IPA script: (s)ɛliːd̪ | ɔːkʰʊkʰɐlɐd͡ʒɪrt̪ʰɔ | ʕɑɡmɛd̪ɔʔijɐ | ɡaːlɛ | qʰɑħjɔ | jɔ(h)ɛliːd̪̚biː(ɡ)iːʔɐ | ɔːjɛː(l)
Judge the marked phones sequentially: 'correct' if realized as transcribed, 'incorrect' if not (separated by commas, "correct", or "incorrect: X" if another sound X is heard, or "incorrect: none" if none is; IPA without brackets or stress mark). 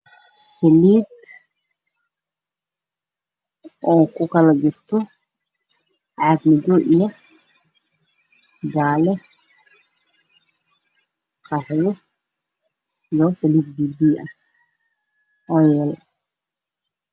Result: correct, incorrect: s, incorrect: b, correct